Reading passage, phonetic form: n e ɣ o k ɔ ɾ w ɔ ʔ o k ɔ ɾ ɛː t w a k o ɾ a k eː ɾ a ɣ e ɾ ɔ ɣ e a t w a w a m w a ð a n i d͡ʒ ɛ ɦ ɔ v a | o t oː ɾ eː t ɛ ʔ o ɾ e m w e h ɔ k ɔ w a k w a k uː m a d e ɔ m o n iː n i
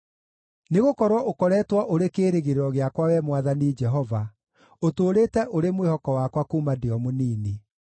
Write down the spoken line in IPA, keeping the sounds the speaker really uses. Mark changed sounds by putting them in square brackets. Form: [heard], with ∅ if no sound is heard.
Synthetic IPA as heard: n e ɣ o k ɔ ɾ w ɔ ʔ o k ɔ ɾ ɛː t w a [ʔ] o ɾ [e] k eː ɾ [e] ɣ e ɾ ɔ ɣ e a [k] w a w [ɛ] m w a ð a n i d͡ʒ ɛ ɦ ɔ v a | o t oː ɾ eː t ɛ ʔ o ɾ e m w e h ɔ k ɔ w a k w a k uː m a d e ɔ m o n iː n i